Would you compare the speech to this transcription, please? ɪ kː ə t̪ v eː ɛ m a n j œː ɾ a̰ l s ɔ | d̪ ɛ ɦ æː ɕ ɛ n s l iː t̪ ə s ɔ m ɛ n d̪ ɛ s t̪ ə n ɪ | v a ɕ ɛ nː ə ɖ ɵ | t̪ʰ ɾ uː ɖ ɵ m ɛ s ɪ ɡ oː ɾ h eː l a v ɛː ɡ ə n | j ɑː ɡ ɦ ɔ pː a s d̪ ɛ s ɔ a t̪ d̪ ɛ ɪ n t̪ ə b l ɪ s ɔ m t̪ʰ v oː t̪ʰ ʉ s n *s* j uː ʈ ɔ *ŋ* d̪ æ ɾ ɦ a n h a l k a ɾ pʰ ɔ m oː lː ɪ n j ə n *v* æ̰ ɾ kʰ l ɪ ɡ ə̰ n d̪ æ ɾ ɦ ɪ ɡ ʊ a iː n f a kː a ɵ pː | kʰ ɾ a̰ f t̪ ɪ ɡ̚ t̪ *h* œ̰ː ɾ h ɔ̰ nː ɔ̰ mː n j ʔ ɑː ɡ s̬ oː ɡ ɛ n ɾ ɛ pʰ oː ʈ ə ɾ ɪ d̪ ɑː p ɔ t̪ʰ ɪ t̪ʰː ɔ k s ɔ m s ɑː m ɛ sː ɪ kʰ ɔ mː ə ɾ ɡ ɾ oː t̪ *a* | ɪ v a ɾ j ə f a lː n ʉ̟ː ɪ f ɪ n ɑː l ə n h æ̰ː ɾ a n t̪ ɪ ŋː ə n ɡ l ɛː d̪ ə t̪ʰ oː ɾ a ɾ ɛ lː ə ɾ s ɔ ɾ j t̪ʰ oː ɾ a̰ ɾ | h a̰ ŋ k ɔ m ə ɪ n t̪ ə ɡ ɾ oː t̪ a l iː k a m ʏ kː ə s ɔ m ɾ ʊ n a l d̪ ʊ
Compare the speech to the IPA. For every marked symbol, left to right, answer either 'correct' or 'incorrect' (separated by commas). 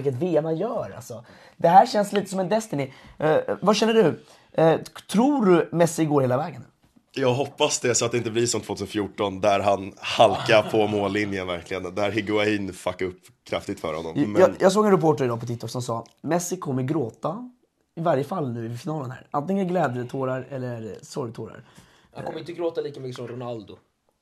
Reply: incorrect, incorrect, correct, incorrect, correct